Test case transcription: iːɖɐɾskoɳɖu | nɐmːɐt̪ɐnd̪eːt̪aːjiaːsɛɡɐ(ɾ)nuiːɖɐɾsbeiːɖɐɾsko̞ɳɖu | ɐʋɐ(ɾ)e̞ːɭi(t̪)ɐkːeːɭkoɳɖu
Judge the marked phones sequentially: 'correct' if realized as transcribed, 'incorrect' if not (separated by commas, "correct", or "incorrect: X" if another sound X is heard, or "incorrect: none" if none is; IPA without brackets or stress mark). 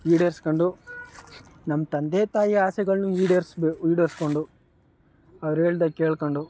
incorrect: ɭ, correct, incorrect: d̪